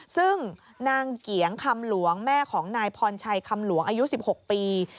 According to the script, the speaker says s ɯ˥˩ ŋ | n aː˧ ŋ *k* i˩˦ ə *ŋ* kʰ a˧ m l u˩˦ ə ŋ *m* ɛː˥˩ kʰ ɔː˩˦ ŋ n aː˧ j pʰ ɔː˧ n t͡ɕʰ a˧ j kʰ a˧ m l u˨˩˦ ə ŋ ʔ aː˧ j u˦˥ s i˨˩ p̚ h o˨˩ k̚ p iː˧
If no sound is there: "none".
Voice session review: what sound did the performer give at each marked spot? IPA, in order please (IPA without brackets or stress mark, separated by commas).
k, ŋ, m